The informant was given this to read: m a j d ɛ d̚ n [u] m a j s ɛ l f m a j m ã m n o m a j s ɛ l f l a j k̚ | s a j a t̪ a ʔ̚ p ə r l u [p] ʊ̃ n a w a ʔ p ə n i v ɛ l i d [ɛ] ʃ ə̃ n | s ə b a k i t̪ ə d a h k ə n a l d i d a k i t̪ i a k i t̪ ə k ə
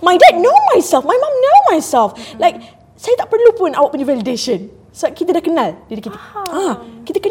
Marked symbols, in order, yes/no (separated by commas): no, yes, no